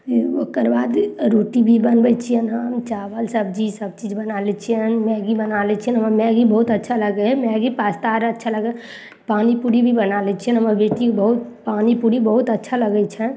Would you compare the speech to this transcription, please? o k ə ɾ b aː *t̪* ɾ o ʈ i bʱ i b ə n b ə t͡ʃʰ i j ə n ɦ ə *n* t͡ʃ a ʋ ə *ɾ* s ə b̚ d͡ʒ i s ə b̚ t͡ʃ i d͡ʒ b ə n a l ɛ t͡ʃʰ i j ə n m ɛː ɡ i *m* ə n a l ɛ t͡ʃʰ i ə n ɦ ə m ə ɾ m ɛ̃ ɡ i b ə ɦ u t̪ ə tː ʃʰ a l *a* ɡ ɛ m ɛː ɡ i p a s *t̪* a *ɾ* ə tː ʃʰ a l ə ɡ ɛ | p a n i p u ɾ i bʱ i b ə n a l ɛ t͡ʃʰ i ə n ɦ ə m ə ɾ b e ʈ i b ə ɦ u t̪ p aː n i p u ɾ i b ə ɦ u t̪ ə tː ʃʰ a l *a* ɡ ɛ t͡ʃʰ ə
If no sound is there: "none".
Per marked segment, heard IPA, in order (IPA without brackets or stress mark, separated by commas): d̪, m, l, b, ə, t̪, ɾ, ə